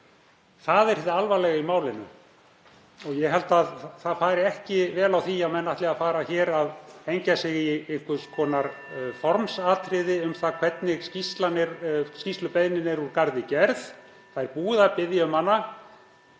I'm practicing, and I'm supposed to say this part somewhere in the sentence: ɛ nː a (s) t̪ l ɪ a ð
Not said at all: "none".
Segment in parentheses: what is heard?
h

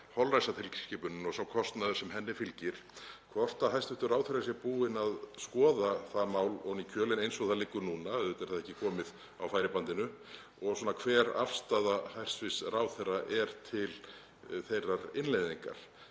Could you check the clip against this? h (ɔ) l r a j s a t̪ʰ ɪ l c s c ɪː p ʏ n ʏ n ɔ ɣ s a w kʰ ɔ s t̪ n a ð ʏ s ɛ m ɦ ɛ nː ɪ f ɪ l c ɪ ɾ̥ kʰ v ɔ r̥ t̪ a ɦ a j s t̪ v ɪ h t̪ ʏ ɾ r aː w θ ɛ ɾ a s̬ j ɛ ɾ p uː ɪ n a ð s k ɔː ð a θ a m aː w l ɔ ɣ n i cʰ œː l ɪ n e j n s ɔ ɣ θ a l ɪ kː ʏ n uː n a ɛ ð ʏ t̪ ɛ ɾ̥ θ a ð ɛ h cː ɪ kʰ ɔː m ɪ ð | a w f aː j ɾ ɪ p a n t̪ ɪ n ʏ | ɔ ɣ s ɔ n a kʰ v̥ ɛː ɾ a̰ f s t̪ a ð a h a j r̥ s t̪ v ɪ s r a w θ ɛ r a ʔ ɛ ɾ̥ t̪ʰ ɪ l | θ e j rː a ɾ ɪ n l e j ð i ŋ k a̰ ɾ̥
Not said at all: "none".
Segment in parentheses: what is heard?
ɔ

